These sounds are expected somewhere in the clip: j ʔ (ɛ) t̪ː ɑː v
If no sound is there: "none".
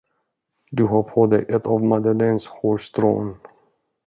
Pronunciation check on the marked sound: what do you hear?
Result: ɛ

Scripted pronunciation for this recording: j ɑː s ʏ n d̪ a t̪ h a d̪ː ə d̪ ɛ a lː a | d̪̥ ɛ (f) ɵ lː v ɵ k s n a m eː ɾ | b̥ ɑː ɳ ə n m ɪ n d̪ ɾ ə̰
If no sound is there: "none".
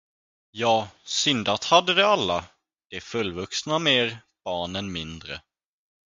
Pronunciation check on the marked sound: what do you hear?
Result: f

